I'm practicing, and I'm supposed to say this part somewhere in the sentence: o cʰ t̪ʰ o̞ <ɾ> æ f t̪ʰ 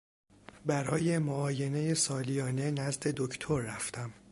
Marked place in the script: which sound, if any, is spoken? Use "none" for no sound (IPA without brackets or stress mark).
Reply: ɾː